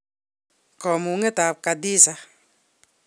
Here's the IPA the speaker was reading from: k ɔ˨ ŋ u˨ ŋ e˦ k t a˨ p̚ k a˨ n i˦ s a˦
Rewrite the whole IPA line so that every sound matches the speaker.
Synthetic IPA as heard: k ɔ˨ m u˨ ŋ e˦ t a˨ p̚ k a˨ d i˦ s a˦